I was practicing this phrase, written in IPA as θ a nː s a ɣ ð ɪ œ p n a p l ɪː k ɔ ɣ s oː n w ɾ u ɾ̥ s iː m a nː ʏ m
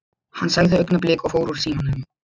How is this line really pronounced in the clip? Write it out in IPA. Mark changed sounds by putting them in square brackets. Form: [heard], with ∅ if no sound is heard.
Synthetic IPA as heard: [h] a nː s a ɣ ð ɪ œ [k] n a p l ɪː k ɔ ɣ [f] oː [∅] w ɾ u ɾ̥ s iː m a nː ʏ m